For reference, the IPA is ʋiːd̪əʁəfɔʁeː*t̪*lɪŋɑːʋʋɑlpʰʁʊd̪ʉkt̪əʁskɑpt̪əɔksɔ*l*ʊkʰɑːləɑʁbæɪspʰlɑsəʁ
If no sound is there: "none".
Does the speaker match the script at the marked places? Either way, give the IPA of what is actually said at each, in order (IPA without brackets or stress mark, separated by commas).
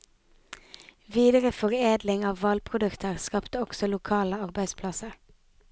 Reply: d̪, l